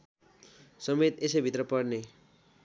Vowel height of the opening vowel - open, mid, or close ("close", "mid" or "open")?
mid